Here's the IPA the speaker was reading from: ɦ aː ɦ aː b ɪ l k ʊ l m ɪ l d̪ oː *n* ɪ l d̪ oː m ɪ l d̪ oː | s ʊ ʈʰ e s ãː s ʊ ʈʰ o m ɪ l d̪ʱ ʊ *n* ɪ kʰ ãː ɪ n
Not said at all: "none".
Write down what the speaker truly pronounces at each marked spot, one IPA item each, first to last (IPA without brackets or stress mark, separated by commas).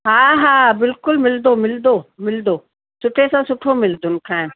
m, n